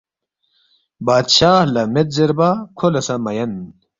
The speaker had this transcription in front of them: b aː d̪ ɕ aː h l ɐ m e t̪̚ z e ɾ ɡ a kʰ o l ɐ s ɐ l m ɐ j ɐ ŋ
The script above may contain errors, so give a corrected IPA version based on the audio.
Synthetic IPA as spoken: b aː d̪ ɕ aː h l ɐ m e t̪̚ z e ɾ b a kʰ o l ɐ s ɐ m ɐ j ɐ n